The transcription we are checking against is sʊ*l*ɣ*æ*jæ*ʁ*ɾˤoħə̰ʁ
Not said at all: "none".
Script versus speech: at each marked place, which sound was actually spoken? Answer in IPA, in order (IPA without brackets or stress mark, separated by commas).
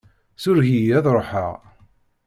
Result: ɾ, i, ð